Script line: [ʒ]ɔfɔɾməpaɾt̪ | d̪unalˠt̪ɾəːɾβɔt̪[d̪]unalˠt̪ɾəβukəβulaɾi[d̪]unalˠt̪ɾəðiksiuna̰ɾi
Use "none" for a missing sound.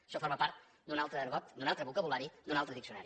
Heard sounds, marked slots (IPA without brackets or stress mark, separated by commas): ʃ, d̪, d̪